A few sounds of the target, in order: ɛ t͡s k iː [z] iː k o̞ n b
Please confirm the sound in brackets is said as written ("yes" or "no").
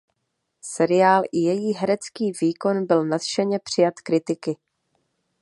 no